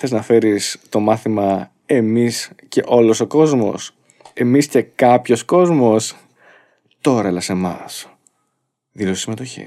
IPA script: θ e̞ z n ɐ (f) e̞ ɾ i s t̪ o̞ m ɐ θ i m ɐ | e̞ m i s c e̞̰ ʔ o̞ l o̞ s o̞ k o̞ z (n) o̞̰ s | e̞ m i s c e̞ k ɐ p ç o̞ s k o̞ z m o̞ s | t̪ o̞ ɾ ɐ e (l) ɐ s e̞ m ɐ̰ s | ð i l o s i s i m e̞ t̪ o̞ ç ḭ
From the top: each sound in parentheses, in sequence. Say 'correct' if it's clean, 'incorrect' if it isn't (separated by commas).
correct, incorrect, correct